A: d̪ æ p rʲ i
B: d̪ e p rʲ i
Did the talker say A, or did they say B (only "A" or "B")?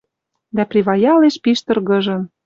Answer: A